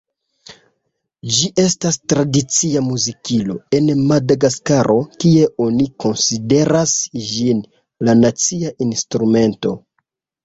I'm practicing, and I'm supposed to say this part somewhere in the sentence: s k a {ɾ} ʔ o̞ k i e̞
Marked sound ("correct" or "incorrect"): correct